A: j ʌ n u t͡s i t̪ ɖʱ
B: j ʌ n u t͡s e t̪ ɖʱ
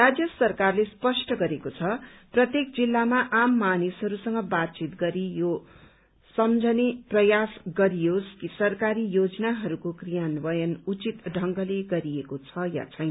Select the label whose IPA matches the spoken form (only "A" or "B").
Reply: A